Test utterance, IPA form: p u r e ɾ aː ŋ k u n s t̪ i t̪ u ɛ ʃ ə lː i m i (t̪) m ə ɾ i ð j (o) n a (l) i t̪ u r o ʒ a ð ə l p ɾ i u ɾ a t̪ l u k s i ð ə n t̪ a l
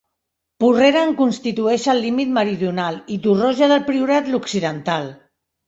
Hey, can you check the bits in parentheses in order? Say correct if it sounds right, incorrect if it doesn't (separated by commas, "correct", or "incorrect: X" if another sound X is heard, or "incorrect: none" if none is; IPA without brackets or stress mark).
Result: correct, incorrect: u, correct